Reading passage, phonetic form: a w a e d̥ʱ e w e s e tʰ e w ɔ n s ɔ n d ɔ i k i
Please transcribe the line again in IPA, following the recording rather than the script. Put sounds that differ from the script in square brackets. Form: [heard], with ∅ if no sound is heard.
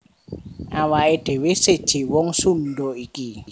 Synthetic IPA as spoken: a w a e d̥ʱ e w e s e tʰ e w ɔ [ŋ] s [u] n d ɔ i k i